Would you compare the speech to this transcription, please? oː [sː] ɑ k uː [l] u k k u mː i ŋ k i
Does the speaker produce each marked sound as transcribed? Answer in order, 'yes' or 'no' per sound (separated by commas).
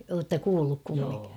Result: no, no